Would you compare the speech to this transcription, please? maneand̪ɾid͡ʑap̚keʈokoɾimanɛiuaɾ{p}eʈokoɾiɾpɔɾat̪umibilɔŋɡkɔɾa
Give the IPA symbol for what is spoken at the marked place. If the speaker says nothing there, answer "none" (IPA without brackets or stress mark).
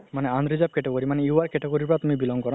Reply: k